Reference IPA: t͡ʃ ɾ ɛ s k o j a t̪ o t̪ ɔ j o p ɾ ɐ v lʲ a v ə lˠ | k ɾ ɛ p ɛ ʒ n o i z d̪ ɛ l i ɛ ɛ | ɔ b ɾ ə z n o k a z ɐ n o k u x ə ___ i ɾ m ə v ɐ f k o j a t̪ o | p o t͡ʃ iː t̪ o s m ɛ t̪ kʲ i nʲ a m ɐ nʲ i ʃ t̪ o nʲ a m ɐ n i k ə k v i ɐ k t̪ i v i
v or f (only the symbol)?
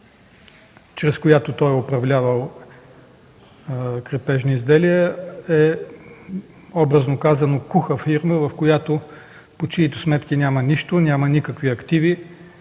f